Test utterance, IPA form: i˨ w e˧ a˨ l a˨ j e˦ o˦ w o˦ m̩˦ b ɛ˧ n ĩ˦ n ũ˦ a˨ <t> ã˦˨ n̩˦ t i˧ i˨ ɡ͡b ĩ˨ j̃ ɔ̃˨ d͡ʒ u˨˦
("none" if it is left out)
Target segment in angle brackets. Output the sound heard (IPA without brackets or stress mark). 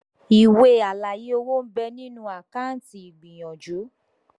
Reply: k